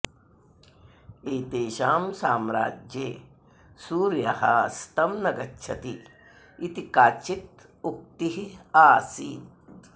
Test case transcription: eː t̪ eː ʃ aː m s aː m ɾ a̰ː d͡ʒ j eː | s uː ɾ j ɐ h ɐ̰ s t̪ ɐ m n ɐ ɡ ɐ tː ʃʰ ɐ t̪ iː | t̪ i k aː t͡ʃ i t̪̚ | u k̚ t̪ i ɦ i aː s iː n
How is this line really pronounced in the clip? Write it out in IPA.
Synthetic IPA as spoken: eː t̪ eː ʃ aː m s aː m ɾ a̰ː d͡ʒ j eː | s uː ɾ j ɐ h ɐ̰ s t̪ ɐ m n ɐ ɡ ɐ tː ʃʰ ɐ t̪ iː | t̪ i k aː t͡ʃ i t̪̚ | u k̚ t̪ i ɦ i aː s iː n

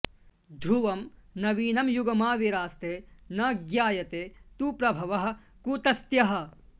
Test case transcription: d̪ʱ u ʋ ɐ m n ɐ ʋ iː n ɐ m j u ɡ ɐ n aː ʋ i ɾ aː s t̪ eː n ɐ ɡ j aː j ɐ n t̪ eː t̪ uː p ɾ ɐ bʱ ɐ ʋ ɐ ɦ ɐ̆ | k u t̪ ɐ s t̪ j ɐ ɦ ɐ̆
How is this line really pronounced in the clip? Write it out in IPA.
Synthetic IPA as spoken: d̪ʱ u ʋ ɐ m n ɐ ʋ iː n ɐ m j u ɡ ɐ m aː ʋ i ɾ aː s t̪ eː n ɐ ɡ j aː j ɐ t̪ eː t̪ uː p ɾ ɐ bʱ ɐ ʋ ɐ ɦ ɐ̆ | k u t̪ ɐ s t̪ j ɐ ɦ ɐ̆

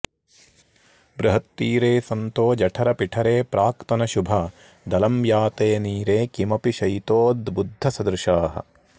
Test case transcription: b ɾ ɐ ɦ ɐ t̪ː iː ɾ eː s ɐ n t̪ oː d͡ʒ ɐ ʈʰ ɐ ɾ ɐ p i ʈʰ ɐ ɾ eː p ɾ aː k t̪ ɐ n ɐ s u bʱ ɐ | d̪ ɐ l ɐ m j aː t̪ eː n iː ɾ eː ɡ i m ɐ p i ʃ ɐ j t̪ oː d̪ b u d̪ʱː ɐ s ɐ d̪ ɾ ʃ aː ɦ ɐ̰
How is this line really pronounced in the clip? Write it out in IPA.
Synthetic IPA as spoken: b ɾ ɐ ɦ ɐ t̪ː iː ɾ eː s ɐ n t̪ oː d͡ʒ ɐ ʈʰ ɐ ɾ ɐ p i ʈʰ ɐ ɾ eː p ɾ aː k t̪ ɐ n ɐ ʃ u bʱ ɐ | d̪ ɐ l ɐ m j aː t̪ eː n iː ɾ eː k i m ɐ p i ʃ ɐ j t̪ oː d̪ b u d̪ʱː ɐ s ɐ d̪ ɾ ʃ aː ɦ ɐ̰

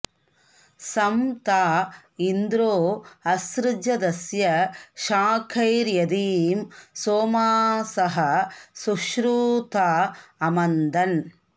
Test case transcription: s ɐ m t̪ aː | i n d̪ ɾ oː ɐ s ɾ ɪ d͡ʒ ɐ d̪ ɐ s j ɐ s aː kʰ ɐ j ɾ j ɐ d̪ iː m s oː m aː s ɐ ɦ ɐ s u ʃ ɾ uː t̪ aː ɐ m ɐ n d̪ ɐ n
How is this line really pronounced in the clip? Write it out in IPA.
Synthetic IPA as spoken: s ɐ m t̪ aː | i n d̪ ɾ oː ɐ s ɾ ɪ d͡ʒ ɐ d̪ ɐ s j ɐ ʃ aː kʰ ɐ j ɾ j ɐ d̪ iː m s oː m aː s ɐ ɦ ɐ s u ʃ ɾ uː t̪ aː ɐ m ɐ n d̪ ɐ n

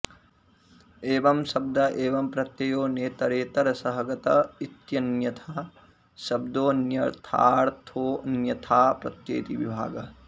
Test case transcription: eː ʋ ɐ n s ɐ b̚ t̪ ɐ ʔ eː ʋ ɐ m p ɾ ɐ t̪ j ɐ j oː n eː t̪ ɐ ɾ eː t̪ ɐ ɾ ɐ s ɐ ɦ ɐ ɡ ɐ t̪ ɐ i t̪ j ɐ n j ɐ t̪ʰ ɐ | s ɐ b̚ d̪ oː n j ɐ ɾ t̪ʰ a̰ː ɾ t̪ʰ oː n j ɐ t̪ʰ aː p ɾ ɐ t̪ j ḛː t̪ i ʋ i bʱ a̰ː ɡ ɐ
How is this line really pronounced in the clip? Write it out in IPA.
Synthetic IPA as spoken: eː ʋ ɐ m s ɐ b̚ d̪ ɐ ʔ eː ʋ ɐ m p ɾ ɐ t̪ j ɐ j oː n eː t̪ ɐ ɾ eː t̪ ɐ ɾ ɐ s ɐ ɦ ɐ ɡ ɐ t̪ ɐ i t̪ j ɐ n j ɐ t̪ʰ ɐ | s ɐ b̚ d̪ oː n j ɐ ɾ t̪ʰ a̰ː ɾ t̪ʰ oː n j ɐ t̪ʰ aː p ɾ ɐ t̪ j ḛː t̪ i ʋ i bʱ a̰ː ɡ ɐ

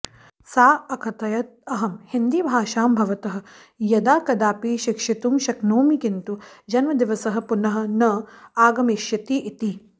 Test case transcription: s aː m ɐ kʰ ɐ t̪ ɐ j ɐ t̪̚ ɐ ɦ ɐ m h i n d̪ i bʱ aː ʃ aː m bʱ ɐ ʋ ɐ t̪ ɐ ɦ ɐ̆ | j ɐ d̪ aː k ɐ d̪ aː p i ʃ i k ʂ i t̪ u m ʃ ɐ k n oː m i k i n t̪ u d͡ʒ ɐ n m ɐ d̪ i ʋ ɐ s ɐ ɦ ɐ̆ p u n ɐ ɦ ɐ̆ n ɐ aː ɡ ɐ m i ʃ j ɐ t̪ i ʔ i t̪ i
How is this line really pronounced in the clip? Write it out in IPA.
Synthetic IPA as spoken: s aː ɐ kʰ ɐ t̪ ɐ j ɐ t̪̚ ɐ ɦ ɐ m h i n d̪ i bʱ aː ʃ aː m bʱ ɐ ʋ ɐ t̪ ɐ ɦ ɐ̆ | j ɐ d̪ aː k ɐ d̪ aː p i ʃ i k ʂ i t̪ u m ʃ ɐ k n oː m i k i n t̪ u d͡ʒ ɐ n m ɐ d̪ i ʋ ɐ s ɐ ɦ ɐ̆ p u n ɐ ɦ ɐ̆ n ɐ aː ɡ ɐ m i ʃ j ɐ t̪ i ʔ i t̪ i

